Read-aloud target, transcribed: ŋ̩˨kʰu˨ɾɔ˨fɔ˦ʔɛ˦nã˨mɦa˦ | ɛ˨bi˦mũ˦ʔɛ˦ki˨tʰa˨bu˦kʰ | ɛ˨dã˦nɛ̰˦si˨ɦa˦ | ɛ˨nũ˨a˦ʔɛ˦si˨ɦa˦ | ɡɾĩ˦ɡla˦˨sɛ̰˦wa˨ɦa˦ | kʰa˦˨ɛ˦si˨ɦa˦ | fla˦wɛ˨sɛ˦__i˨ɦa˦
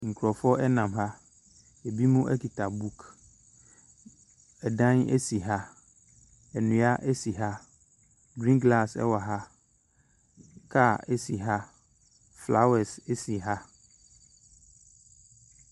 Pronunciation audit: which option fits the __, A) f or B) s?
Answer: B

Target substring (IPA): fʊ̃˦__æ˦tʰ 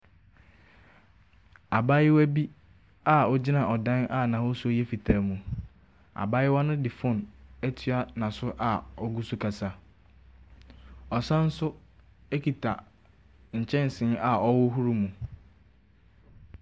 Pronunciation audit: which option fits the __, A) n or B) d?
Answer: A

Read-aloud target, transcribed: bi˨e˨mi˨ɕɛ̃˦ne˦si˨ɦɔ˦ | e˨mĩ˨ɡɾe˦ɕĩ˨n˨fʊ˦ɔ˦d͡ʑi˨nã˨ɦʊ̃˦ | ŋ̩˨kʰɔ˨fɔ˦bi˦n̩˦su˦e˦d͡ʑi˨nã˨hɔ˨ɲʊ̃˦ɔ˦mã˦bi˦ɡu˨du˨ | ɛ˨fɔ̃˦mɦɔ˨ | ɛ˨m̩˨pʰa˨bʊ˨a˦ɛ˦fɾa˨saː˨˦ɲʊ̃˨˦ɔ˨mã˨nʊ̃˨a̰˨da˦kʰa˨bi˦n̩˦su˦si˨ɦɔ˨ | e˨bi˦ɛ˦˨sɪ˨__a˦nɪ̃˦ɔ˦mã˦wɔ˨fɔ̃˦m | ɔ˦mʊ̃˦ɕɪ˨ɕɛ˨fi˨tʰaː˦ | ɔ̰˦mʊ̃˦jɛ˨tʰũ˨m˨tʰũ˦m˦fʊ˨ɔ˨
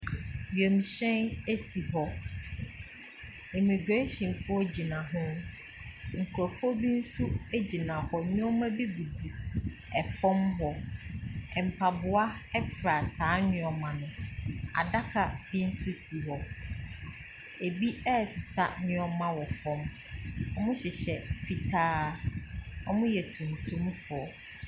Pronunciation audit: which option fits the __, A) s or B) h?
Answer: A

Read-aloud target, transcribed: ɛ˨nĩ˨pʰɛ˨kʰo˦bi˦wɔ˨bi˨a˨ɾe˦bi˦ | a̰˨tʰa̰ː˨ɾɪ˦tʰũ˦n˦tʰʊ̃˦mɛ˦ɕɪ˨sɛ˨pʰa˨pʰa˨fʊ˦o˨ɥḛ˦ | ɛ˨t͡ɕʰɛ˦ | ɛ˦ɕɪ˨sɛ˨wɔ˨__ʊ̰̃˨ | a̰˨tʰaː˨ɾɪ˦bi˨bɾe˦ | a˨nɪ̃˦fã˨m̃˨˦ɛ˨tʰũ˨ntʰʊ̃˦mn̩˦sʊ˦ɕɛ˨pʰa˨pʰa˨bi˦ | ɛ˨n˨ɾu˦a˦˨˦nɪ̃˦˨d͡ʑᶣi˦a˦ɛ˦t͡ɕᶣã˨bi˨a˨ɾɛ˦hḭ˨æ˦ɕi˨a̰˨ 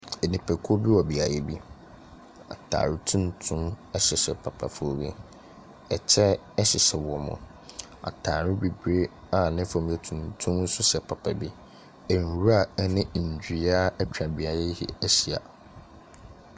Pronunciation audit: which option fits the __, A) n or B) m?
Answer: B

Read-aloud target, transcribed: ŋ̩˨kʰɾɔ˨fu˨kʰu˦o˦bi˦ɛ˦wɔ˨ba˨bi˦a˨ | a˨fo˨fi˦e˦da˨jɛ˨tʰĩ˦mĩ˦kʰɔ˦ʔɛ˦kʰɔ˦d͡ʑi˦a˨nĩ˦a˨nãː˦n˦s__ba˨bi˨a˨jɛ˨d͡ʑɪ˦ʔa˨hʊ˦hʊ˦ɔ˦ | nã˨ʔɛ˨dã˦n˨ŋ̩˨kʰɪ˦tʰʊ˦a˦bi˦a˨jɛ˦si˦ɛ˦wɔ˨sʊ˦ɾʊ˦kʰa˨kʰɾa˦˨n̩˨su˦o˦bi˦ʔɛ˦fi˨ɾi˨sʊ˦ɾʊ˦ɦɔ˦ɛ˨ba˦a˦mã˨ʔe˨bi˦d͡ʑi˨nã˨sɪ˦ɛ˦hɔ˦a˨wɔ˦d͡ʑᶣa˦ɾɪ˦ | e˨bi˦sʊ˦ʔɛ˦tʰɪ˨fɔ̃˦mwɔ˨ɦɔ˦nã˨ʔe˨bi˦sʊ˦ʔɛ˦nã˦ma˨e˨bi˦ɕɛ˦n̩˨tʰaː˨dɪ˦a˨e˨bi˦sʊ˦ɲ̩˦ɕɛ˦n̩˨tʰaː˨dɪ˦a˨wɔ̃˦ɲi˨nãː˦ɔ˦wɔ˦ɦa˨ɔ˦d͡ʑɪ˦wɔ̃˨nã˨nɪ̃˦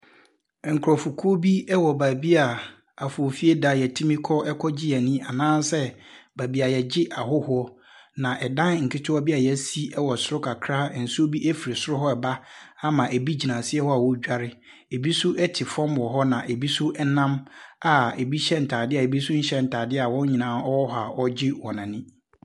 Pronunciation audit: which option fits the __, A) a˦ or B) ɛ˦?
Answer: B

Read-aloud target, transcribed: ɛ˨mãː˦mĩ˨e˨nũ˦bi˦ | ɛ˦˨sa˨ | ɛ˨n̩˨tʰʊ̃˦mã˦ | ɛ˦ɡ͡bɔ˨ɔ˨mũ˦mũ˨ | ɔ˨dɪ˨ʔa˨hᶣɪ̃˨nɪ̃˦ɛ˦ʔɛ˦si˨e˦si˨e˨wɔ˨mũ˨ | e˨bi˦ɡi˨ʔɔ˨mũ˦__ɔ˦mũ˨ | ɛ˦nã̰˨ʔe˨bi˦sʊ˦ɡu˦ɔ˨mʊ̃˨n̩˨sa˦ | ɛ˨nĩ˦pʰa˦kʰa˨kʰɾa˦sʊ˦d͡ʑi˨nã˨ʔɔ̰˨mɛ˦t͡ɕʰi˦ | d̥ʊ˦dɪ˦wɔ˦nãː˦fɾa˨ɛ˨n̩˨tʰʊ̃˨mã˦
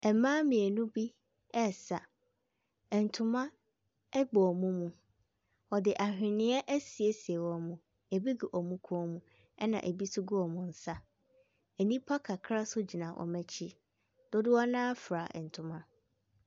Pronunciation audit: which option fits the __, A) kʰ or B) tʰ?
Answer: A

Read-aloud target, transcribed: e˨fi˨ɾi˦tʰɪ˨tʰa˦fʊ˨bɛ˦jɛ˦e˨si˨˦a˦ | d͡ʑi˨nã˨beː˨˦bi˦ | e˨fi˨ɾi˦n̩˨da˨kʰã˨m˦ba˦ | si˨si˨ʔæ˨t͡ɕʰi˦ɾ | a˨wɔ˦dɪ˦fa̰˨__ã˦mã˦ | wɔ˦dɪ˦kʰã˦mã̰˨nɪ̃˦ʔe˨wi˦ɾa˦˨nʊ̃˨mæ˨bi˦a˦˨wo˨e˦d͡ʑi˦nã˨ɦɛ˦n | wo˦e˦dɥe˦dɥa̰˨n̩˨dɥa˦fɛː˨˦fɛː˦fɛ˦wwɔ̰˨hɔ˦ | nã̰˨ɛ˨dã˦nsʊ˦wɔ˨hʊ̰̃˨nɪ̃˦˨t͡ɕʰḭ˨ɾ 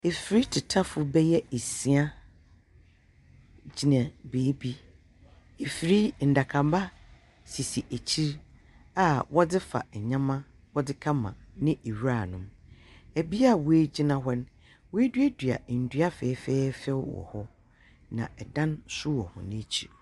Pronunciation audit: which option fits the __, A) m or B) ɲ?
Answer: B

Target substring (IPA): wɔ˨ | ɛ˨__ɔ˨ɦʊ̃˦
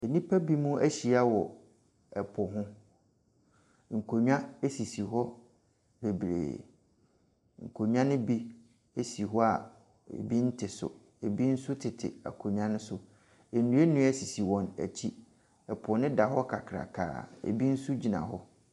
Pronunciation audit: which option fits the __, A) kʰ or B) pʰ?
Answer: B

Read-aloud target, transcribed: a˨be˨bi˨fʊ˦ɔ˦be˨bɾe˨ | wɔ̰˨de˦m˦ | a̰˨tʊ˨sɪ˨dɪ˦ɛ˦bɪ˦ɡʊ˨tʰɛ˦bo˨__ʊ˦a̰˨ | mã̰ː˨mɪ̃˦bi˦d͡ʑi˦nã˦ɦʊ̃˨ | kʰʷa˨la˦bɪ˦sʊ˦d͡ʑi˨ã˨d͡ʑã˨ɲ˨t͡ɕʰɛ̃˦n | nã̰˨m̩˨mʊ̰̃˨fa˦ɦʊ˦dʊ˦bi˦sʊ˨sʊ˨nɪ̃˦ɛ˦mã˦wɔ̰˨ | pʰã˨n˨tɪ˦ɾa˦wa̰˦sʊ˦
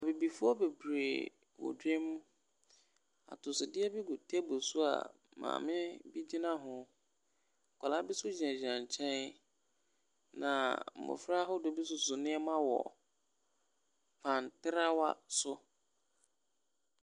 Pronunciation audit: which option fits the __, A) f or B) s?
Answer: B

